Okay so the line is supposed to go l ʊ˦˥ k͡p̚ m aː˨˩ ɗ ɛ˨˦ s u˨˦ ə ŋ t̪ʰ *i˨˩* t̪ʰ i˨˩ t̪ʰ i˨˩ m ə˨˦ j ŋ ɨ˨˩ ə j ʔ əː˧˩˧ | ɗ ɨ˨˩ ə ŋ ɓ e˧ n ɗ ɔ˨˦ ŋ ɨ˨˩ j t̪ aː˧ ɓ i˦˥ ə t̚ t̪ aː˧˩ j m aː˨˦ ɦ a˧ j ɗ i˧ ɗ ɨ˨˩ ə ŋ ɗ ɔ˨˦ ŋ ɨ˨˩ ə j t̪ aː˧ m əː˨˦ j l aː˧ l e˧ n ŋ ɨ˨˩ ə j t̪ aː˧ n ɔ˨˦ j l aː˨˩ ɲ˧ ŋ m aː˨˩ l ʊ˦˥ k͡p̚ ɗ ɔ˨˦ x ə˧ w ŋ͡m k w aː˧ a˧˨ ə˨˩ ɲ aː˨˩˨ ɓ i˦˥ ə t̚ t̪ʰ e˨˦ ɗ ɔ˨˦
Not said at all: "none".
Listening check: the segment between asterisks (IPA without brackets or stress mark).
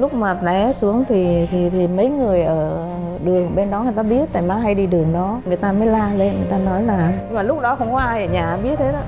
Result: i˨˩